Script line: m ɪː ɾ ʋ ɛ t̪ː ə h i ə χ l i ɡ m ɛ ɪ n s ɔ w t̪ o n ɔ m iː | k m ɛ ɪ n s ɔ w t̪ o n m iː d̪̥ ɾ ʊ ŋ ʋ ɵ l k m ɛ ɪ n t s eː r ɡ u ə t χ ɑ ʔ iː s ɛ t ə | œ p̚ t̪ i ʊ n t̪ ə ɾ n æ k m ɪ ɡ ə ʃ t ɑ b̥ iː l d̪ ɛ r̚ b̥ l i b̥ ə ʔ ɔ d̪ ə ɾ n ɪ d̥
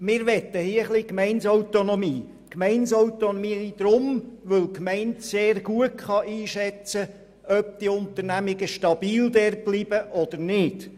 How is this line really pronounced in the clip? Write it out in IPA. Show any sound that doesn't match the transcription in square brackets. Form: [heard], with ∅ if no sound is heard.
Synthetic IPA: m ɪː ɾ ʋ ɛ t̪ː ə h i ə χ l i [k] m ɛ ɪ n s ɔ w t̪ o n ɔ m iː | k m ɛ ɪ n s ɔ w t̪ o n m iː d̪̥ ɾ ʊ [m] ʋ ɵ l k m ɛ ɪ n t s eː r ɡ u ə t χ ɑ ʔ iː [ʃ] ɛ [t͡s] ə | œ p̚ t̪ i ʊ n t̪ ə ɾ n æ [∅] m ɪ ɡ ə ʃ t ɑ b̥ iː l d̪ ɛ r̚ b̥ l i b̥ ə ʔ ɔ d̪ ə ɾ n ɪ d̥